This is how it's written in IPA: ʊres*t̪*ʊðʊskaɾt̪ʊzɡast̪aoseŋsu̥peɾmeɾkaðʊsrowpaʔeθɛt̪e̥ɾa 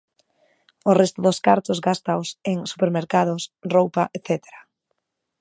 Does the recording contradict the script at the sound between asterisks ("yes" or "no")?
no